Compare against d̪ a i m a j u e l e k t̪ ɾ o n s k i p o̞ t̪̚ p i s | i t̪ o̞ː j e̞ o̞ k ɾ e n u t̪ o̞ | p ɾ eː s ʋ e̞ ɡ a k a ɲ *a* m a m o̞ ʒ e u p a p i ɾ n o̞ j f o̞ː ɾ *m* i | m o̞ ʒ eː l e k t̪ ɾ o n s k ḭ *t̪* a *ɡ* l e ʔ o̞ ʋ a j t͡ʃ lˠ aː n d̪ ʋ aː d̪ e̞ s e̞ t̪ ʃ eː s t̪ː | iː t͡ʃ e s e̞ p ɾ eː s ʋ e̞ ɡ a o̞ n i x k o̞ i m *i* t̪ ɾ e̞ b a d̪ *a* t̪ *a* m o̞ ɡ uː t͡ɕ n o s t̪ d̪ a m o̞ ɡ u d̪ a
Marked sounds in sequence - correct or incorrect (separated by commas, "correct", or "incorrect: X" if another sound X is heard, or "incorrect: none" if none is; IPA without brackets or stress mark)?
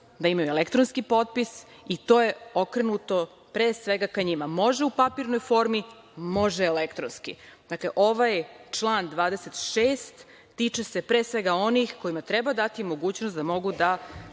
incorrect: i, correct, incorrect: d̪, incorrect: k, incorrect: a, correct, incorrect: i